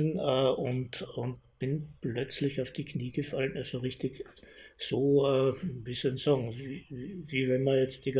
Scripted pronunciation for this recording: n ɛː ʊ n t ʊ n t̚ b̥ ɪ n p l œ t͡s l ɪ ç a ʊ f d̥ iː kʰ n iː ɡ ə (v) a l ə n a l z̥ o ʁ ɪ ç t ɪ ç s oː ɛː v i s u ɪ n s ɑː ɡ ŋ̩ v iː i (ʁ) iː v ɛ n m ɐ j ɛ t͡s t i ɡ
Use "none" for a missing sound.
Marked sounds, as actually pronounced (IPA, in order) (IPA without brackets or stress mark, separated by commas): f, v